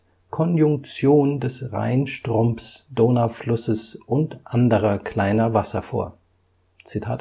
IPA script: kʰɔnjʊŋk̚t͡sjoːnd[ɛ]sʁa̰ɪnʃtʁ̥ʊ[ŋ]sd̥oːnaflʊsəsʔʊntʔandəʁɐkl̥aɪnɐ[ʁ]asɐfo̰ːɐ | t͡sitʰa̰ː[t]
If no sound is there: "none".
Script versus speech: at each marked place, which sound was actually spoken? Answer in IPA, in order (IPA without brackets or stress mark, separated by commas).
ɛ, m, v, t